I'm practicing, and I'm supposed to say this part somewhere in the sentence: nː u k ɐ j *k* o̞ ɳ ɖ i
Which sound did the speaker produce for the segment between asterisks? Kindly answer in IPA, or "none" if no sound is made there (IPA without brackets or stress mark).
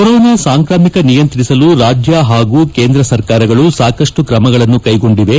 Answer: ɡ